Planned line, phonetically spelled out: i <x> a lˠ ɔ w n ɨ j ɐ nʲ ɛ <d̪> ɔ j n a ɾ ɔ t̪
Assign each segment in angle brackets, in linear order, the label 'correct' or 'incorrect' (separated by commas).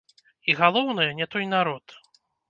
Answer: incorrect, incorrect